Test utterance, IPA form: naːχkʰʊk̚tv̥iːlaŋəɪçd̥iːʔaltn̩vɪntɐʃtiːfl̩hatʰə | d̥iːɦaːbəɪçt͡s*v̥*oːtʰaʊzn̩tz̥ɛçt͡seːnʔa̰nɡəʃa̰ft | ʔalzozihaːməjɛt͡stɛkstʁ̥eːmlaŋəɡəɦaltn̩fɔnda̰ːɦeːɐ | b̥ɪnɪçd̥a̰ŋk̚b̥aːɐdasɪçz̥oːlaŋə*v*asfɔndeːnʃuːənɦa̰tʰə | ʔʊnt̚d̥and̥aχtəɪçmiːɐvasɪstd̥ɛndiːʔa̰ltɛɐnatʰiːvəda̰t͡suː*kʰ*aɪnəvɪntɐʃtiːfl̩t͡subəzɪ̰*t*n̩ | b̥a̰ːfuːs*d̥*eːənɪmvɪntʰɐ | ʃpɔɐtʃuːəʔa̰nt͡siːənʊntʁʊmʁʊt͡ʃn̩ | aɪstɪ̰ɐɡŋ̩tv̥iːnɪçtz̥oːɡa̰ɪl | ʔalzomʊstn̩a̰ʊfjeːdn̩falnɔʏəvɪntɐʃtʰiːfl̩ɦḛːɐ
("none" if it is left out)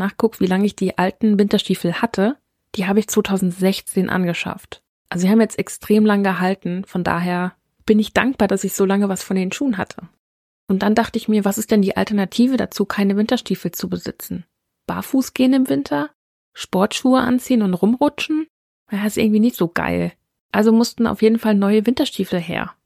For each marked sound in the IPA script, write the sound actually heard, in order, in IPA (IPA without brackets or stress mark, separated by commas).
v̥, v, kʰ, t͡s, ɡ̥